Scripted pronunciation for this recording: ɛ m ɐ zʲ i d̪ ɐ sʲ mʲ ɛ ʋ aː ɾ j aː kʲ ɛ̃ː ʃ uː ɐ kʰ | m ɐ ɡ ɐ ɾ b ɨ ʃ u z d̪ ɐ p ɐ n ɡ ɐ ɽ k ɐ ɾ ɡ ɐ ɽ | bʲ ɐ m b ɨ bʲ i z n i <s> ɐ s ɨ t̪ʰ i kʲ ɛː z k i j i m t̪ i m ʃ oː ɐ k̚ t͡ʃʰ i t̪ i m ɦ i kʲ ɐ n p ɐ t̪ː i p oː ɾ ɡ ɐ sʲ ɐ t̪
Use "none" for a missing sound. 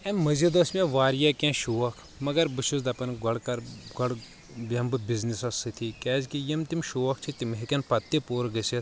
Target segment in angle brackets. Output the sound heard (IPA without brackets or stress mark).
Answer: s